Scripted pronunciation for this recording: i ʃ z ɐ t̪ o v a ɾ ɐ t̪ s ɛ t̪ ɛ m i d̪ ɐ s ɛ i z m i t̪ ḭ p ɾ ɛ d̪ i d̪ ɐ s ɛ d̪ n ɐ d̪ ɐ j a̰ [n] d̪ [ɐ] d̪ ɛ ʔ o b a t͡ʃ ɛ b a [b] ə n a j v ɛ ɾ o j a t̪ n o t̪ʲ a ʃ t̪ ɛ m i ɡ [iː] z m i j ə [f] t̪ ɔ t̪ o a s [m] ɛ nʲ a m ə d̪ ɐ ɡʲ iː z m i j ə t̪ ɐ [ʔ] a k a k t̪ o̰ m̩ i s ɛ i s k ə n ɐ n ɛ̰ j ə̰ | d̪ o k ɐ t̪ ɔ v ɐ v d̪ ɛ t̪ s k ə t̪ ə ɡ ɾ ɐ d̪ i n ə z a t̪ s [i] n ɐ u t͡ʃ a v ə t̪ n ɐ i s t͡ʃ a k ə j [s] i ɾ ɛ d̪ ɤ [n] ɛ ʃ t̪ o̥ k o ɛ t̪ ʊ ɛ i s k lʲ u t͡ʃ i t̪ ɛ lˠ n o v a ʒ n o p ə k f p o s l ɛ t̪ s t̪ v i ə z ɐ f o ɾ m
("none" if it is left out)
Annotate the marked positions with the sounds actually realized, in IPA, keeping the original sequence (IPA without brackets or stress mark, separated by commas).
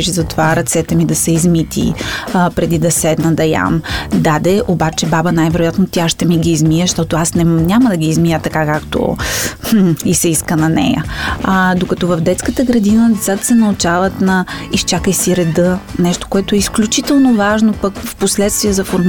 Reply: m, a, b, iː, ʃ, n, k, ɛ, s, n